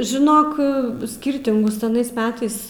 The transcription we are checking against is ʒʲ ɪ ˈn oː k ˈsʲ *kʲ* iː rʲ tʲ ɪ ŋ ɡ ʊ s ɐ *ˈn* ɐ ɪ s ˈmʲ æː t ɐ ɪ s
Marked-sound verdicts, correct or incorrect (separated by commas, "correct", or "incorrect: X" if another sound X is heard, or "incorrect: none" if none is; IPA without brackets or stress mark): correct, correct